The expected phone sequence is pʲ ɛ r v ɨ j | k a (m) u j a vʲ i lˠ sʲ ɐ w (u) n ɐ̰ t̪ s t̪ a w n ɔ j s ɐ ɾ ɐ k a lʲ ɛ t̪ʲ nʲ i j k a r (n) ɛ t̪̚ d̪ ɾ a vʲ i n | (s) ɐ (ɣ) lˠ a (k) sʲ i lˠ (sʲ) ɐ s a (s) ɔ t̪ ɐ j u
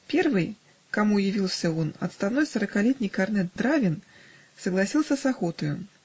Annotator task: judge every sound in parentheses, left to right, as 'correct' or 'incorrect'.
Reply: correct, incorrect, correct, correct, correct, incorrect, correct, incorrect

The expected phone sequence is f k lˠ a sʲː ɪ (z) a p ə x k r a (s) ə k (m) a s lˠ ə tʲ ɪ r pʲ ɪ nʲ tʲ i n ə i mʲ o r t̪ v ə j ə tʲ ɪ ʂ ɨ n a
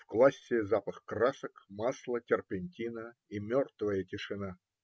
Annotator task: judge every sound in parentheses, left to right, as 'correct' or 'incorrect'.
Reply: correct, correct, correct

